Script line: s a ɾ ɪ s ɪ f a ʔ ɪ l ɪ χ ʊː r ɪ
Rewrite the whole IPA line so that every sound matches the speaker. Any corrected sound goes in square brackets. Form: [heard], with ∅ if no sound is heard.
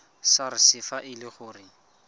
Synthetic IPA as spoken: s a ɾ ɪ s ɪ f a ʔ ɪ l ɪ χ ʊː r ɪ